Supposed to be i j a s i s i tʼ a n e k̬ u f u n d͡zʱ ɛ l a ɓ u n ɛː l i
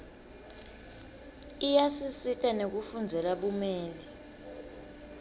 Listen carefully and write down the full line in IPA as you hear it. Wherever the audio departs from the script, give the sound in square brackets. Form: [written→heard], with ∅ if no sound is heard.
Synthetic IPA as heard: i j a s i s i tʼ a n e k̬ u f u n d͡zʱ ɛ l a ɓ u [n→m] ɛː l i